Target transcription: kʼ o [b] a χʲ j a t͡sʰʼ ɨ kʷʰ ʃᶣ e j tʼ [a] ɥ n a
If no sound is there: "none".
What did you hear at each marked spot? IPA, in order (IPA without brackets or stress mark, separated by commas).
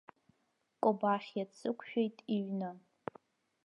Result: b, i